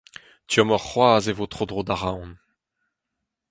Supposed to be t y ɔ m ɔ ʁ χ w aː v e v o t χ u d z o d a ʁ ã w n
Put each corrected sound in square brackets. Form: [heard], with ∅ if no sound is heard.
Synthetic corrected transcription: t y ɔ m ɔ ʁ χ w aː [z] e v o t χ [o] d [ʁ] o d a ʁ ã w n